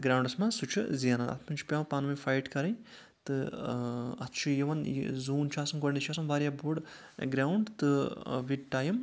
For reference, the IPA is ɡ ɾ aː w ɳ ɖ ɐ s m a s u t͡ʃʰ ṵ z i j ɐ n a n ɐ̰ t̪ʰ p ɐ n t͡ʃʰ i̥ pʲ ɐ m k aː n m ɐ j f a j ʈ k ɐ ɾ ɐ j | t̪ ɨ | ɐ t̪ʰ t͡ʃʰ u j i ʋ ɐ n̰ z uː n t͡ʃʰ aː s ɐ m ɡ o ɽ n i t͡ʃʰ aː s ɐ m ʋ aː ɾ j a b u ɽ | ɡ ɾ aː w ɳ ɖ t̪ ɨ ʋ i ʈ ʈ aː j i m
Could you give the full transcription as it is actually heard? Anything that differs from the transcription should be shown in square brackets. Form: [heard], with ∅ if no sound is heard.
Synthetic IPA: ɡ ɾ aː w ɳ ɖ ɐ s m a s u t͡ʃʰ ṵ z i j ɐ n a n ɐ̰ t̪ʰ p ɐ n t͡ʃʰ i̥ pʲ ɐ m [p] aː n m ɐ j f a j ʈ k ɐ ɾ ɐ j | t̪ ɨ | ɐ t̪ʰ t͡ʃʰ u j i ʋ ɐ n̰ z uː n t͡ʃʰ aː s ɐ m ɡ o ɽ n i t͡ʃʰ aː s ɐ m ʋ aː ɾ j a b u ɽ | ɡ ɾ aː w ɳ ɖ t̪ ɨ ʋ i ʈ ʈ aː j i m